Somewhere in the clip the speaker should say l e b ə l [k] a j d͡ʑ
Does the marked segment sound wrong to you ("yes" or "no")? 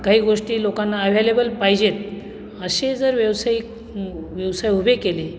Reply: yes